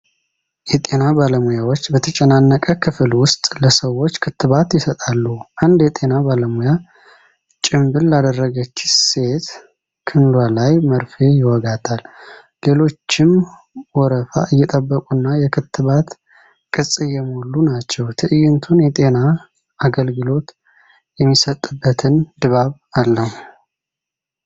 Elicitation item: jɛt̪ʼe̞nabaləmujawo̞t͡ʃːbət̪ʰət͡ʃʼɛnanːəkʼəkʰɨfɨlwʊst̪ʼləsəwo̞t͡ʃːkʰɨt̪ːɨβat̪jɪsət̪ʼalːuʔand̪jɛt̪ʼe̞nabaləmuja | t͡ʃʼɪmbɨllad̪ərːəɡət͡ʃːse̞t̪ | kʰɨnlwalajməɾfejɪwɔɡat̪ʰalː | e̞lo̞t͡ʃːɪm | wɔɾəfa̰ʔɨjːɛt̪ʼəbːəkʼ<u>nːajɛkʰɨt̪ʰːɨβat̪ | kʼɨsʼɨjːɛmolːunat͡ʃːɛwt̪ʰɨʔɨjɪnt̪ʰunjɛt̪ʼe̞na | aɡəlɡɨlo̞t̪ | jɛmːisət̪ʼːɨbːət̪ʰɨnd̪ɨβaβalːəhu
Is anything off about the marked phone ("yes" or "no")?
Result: no